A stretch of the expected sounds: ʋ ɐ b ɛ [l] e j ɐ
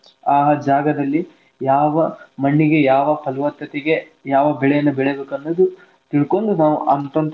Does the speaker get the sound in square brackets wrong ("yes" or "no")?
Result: yes